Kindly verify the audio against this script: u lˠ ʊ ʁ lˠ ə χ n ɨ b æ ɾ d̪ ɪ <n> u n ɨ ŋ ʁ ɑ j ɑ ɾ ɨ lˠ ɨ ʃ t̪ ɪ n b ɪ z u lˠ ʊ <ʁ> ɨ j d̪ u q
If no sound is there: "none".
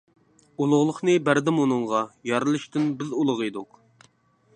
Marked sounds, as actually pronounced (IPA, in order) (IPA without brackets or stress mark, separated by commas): m, ʁ